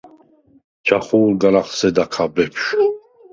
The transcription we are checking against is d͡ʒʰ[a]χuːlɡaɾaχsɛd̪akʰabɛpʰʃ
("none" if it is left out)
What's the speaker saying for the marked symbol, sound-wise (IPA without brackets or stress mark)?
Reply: a